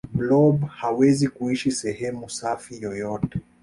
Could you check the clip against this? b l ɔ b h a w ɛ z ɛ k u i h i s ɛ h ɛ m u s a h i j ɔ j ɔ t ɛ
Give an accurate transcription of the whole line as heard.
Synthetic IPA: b l ɔ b h a w ɛ z i k u i ʃ i s ɛ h ɛ m u s a f i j ɔ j ɔ t ɛ